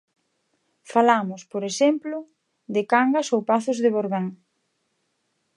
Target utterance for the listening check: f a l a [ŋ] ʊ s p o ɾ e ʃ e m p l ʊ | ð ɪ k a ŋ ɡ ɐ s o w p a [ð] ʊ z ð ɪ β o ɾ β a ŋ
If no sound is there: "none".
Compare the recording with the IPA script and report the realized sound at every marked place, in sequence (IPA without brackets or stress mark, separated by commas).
m, θ